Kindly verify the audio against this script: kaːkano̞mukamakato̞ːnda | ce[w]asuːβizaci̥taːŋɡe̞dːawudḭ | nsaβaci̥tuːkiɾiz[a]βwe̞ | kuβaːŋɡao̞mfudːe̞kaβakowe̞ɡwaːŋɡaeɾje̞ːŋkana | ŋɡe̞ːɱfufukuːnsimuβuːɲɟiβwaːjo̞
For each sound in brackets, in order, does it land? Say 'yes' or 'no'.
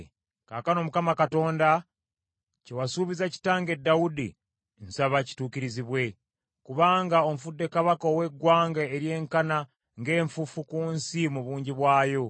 yes, no

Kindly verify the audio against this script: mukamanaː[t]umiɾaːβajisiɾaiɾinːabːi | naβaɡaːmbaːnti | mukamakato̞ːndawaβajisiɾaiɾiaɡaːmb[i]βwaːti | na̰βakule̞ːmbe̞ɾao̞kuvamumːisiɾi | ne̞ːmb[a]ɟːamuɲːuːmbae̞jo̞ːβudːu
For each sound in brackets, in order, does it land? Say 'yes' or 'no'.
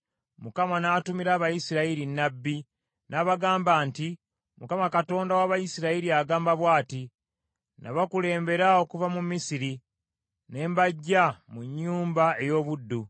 yes, no, yes

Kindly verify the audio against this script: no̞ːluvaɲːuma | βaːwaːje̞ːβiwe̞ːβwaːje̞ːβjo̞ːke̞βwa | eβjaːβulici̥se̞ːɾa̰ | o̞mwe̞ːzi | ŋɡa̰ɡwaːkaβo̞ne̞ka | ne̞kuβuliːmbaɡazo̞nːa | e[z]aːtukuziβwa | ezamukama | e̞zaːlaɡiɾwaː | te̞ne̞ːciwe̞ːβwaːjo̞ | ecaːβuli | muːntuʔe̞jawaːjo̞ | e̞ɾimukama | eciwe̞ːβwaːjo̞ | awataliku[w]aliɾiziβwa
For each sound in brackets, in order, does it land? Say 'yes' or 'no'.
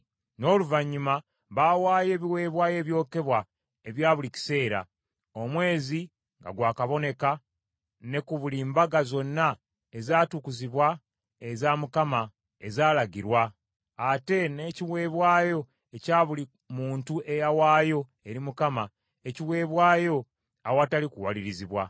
yes, yes

